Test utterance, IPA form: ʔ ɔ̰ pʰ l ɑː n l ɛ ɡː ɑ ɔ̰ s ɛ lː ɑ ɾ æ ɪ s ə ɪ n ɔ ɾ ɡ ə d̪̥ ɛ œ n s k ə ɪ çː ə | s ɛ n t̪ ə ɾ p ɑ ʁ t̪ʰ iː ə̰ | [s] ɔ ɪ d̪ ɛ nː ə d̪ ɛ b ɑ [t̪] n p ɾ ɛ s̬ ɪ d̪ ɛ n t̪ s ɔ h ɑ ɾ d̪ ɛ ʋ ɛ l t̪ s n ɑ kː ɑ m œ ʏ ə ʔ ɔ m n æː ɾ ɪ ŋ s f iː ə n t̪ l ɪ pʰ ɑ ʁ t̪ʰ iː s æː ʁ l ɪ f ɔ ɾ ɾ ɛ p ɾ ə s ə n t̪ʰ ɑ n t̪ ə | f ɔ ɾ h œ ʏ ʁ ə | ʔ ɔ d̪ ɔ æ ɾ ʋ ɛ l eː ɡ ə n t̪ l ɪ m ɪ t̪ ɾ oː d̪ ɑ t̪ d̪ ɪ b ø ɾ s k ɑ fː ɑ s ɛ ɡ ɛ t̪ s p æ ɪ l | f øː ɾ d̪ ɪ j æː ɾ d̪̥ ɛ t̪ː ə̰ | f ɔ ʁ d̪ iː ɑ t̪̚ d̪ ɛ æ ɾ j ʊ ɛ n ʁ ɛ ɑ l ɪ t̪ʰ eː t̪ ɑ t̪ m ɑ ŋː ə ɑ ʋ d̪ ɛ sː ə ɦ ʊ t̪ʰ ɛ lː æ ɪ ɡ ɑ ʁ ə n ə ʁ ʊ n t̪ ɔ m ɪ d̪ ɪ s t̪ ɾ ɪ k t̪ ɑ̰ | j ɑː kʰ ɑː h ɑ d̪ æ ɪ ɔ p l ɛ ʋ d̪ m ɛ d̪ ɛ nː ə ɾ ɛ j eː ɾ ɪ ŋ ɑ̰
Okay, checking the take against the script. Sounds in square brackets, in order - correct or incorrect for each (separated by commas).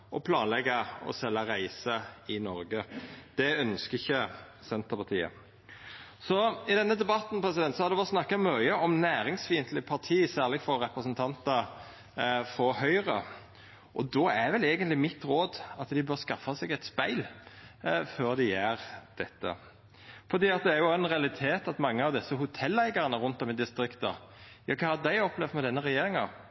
correct, correct